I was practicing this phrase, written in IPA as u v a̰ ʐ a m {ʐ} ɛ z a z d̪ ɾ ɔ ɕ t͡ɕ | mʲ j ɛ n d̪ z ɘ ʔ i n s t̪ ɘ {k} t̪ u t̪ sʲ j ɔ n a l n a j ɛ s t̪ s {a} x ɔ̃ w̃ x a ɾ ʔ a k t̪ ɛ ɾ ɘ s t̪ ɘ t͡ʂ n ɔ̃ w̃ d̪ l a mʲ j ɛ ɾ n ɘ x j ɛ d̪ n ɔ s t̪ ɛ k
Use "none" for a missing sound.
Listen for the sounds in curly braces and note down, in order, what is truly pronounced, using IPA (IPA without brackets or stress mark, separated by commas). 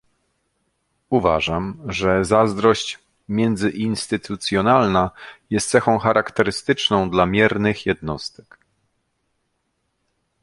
ʐ, none, ɛ